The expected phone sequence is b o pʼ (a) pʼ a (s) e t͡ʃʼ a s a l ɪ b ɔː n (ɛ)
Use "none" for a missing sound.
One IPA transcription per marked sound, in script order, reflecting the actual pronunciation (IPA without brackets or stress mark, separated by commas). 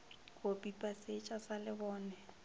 i, s, ɛ